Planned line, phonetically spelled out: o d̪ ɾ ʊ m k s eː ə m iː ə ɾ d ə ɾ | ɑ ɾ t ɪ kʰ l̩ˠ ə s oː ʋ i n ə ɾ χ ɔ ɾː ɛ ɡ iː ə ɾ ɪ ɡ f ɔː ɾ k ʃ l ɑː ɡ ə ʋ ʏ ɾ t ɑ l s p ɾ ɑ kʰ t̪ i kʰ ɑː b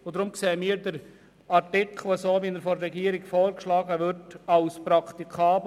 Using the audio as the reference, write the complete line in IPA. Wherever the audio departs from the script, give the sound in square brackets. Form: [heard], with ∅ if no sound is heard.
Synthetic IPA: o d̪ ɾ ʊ m k s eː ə m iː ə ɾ d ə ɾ | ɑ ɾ t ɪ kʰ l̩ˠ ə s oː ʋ i n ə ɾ [f] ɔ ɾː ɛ ɡ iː ə ɾ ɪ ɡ f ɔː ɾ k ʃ l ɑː ɡ ə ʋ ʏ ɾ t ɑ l s p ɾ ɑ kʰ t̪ i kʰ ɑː b